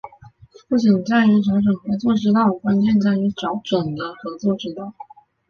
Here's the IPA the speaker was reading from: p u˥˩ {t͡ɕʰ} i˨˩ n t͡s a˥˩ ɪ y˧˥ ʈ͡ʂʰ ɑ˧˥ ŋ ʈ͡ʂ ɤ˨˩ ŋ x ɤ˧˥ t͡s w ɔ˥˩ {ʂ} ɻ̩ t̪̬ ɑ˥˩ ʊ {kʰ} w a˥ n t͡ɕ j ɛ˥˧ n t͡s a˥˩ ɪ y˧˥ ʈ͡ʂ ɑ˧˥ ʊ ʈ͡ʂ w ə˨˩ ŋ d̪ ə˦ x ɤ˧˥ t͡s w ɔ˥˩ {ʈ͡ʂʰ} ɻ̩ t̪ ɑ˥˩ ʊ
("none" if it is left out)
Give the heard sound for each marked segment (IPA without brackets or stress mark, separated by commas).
t͡ɕ, ʈ͡ʂ, k, ʈ͡ʂ